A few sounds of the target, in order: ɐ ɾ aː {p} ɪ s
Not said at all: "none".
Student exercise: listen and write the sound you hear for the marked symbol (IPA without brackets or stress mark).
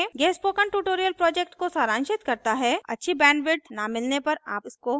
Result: p